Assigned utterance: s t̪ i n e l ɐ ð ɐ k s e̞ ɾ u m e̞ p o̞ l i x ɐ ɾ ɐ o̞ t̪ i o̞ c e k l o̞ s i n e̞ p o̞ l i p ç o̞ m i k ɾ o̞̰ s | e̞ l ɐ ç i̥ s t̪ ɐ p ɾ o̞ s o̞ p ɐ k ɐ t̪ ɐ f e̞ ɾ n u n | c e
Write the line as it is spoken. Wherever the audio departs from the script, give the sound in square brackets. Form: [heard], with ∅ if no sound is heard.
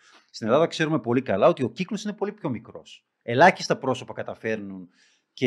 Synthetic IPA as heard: s t̪ i n e l ɐ ð ɐ k s e̞ ɾ u m e̞ p o̞ l i [k] ɐ [l] ɐ o̞ t̪ i o̞ c [i] k l o̞ s i n e̞ p o̞ l i p ç o̞ m i k ɾ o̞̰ s | e̞ l ɐ ç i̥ s t̪ ɐ p ɾ o̞ s o̞ p ɐ k ɐ t̪ ɐ f e̞ ɾ n u n | c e